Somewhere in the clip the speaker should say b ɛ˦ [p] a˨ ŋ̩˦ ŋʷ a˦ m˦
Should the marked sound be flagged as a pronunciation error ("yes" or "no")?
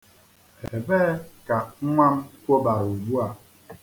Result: yes